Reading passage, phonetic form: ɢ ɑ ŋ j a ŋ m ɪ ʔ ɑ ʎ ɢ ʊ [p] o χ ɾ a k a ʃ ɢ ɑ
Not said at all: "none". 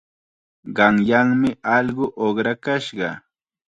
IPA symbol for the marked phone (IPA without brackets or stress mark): ʔ